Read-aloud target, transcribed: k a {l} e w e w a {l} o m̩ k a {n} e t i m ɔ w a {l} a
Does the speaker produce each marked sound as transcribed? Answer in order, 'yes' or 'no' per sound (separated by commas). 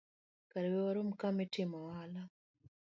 no, no, no, yes